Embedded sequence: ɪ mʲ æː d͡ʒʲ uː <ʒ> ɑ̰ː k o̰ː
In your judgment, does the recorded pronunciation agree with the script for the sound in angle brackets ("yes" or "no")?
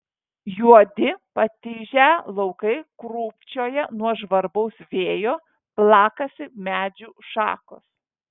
no